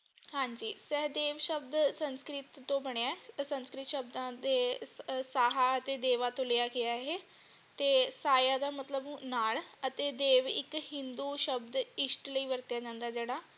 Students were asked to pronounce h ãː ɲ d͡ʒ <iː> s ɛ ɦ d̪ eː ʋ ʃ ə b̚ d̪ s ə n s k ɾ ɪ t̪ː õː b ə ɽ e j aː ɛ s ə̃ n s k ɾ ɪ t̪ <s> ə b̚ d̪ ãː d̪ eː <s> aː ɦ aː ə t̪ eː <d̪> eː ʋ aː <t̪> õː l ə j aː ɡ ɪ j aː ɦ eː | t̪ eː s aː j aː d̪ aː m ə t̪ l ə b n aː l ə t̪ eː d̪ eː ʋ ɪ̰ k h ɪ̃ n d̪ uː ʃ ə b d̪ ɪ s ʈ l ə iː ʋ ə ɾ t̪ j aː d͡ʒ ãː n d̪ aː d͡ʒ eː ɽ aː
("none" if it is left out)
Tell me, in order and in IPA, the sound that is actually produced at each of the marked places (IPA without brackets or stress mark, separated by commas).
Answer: iː, ʃ, s, d̪, t̪